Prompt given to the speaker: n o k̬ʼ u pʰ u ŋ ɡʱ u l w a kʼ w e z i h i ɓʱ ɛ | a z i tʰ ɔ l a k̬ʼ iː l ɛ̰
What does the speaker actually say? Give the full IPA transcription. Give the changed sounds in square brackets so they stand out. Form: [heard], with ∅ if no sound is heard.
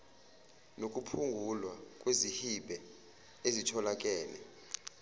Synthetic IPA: n o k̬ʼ u pʰ u ŋ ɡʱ u l w a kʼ w e z i h i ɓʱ ɛ | [e] z i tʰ ɔ l a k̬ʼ [ɛː] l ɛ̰